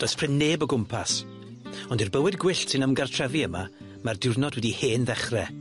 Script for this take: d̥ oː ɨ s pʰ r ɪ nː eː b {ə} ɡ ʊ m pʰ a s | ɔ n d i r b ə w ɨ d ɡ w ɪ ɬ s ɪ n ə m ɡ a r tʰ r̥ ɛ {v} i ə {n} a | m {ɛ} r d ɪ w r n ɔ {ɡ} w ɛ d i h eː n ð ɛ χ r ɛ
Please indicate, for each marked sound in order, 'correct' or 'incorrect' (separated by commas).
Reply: correct, correct, incorrect, incorrect, incorrect